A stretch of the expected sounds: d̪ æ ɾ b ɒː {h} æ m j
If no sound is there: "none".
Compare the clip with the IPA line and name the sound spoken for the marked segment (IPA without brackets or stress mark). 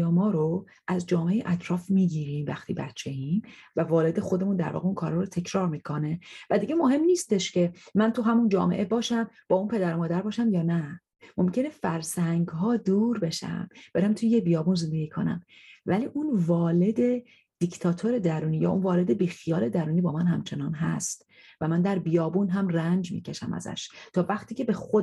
ʃ